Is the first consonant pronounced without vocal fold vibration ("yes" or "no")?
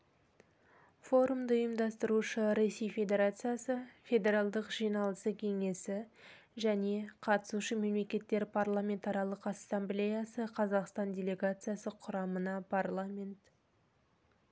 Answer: yes